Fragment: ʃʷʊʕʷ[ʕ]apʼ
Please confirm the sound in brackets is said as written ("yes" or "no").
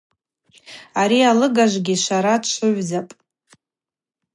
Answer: no